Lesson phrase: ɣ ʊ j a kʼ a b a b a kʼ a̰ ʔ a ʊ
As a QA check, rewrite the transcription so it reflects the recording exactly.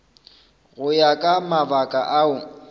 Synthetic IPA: ɣ ʊ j a kʼ a m a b a kʼ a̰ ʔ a ʊ